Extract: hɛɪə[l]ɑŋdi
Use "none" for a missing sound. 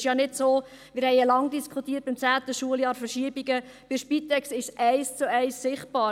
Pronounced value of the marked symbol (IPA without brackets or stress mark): l